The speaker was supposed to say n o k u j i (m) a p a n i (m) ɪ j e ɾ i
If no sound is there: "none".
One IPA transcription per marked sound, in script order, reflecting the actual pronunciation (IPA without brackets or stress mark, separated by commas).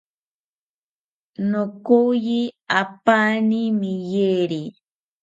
none, m